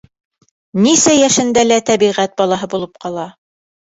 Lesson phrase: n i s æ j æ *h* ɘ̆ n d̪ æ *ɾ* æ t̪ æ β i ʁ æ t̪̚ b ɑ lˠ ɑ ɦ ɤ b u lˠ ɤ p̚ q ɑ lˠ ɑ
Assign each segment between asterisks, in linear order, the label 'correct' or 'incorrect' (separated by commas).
incorrect, incorrect